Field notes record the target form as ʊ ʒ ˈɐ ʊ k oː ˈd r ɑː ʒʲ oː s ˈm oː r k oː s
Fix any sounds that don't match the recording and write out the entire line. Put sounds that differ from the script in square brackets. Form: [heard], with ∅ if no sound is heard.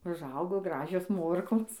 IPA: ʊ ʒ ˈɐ ʊ [ɡ] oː [ˈɡ] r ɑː ʒʲ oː s ˈm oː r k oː s